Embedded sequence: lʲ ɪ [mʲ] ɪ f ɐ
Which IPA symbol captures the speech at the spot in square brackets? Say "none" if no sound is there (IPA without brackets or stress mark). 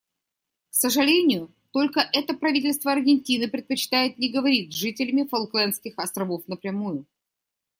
mʲ